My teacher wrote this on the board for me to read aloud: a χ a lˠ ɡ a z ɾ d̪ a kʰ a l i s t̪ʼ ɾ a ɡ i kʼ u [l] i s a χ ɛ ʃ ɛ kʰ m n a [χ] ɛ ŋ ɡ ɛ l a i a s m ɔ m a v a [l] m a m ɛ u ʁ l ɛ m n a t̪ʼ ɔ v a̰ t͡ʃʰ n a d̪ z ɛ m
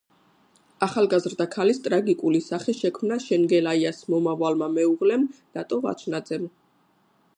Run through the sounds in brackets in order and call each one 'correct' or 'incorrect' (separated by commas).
correct, incorrect, correct